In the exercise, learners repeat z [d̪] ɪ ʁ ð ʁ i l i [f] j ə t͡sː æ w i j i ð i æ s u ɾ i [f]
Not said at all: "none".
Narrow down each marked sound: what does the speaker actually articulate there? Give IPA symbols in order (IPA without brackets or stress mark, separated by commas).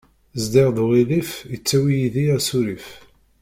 d̪, f, f